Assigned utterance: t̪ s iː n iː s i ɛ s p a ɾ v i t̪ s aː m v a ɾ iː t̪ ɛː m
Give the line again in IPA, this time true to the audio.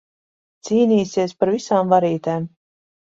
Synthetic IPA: t̪ s iː n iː s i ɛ s p a ɾ v i s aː m v a ɾ iː t̪ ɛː m

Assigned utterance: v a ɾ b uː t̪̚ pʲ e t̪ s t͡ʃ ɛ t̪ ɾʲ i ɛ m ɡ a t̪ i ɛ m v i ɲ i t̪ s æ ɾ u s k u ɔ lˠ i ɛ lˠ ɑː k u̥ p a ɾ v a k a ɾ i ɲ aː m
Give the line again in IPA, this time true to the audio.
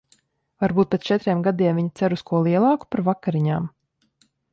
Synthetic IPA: v a ɾ b uː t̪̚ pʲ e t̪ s t͡ʃ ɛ t̪ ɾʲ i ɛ m ɡ a d̪ i ɛ m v i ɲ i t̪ s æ ɾ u s k u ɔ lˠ i ɛ lˠ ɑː k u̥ p a ɾ v a k a ɾ i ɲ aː m

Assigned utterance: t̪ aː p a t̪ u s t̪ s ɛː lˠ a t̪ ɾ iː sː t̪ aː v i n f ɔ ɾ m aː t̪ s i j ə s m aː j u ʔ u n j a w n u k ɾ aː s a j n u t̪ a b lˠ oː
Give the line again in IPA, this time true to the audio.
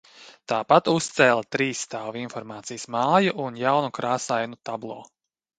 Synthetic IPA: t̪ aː p a t̪ u s t̪ s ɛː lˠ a t̪ ɾ iː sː t̪ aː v i n f ɔ ɾ m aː t̪ s i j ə s m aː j u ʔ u n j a w n u k ɾ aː s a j n u t̪ a b lˠ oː

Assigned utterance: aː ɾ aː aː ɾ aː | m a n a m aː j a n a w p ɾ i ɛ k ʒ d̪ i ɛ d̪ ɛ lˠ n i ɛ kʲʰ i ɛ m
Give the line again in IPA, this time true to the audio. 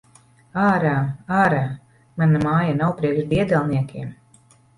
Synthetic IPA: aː ɾ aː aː ɾ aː | m a n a m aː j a n a w p ɾ i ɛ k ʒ d̪ i ɛ d̪ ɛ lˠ n i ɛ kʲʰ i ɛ m

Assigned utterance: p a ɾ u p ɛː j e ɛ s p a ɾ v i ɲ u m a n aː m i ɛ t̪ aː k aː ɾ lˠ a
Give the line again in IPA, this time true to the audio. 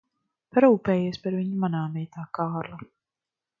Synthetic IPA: p a ɾ uː p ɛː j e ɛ s p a ɾ v i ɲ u m a n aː m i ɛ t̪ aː k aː ɾ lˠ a

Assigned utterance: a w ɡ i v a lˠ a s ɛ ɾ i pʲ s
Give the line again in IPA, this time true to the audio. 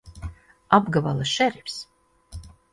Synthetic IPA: a b ɡ a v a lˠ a ʃ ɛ ɾ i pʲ s

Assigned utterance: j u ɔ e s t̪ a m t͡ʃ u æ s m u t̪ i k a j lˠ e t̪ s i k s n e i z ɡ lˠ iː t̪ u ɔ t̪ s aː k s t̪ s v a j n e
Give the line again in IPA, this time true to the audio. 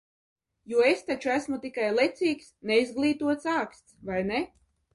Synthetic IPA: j u ɔ e s t̪ a t͡ʃ u æ s m u t̪ i k a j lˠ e t̪ s iː k s n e i z ɡ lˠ iː t̪ u ɔ t̪ s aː k s t̪ s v a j n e

